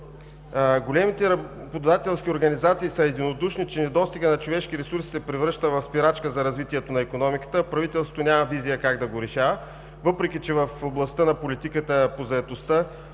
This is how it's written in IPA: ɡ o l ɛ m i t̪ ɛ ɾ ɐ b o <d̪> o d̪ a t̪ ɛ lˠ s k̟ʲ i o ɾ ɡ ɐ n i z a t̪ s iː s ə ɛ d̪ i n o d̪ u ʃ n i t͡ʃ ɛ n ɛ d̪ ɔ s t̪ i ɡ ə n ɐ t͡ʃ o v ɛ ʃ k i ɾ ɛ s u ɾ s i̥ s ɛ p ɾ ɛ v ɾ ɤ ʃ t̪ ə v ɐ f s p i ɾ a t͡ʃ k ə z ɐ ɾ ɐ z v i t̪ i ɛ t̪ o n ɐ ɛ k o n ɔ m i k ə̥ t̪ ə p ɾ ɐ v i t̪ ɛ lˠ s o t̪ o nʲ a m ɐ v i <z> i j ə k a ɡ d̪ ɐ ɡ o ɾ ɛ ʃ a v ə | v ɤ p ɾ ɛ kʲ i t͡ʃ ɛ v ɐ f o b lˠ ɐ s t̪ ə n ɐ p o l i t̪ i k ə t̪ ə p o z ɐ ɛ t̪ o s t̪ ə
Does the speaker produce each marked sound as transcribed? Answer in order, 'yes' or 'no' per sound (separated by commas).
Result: yes, yes